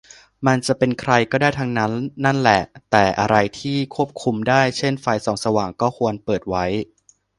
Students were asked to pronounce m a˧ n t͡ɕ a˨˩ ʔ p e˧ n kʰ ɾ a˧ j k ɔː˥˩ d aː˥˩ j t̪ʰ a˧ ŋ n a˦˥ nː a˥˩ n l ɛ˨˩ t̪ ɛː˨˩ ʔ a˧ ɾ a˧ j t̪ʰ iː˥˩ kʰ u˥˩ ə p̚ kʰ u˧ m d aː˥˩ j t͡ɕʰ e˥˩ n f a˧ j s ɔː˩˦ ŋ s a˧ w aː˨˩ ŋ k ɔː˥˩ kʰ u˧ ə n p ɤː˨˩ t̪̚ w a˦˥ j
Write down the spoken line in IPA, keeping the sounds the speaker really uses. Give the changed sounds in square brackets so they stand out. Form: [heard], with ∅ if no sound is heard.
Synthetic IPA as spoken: m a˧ n t͡ɕ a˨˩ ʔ p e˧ n kʰ ɾ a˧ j k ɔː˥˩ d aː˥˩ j t̪ʰ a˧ ŋ n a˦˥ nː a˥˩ n l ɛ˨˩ t̪ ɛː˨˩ ʔ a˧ ɾ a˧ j t̪ʰ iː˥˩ kʰ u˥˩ ə p̚ kʰ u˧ m d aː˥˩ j t͡ɕʰ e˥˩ n f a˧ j s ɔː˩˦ ŋ s a˧ w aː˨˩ ŋ k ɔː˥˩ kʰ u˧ ə n p ɤː˨˩ t̪̚ w a˦˥ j

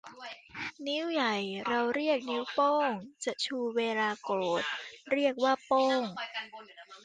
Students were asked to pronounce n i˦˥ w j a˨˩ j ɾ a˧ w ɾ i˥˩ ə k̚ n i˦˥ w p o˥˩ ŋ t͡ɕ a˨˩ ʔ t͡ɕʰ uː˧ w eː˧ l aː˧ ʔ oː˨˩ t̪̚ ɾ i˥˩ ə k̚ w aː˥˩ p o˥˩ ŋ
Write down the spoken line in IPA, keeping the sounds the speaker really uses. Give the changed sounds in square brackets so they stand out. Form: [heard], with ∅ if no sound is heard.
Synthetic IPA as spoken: n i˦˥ w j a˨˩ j ɾ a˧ w ɾ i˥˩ ə k̚ n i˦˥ w p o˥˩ ŋ t͡ɕ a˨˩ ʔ t͡ɕʰ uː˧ w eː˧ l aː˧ [k] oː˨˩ t̪̚ ɾ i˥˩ ə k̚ w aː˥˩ p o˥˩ ŋ

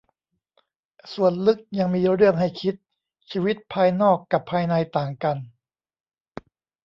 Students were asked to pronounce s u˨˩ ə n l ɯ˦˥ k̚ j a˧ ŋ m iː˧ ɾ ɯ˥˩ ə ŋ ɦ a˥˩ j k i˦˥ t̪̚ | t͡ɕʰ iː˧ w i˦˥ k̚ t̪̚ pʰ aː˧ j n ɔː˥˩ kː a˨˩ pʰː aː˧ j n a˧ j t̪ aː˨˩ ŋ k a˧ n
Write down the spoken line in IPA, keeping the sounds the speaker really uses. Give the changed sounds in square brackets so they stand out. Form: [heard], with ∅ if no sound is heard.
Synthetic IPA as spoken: s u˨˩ ə n l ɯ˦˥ k̚ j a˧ ŋ m iː˧ ɾ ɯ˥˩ ə ŋ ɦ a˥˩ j [kʰ] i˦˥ t̪̚ | t͡ɕʰ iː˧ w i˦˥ [∅] t̪̚ pʰ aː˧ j n ɔː˥˩ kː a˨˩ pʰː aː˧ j n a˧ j t̪ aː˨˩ ŋ k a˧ n

